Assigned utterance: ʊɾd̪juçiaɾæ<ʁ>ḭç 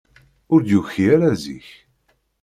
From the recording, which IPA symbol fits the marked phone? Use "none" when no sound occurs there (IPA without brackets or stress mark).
z